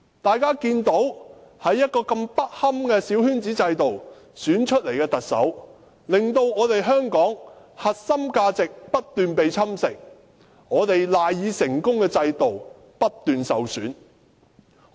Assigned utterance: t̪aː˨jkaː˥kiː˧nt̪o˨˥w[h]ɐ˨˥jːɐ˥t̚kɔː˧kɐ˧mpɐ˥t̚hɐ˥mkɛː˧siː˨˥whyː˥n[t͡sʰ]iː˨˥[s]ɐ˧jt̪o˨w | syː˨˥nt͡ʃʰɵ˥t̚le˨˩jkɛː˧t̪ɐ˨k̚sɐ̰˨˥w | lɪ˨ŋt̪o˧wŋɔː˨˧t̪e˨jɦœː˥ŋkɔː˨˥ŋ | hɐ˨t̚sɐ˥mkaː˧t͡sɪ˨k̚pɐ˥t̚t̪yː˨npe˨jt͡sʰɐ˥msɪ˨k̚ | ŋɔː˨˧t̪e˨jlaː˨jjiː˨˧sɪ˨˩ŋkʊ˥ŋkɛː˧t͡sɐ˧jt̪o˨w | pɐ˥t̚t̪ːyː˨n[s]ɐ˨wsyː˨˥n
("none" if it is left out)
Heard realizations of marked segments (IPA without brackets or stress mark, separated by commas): h, t͡s, t͡s, s